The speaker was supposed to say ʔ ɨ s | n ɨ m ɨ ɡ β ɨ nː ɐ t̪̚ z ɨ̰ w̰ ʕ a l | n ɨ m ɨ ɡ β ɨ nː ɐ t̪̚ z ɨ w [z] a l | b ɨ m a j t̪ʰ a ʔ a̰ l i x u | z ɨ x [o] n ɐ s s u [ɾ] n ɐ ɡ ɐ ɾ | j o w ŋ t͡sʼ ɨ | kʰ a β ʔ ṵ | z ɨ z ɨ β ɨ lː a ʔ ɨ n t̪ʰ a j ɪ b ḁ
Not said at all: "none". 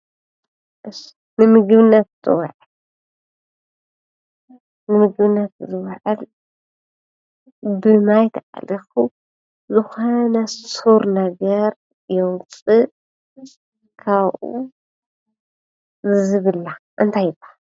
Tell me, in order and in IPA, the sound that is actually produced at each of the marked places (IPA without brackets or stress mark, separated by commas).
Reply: ʕ, o, ɾ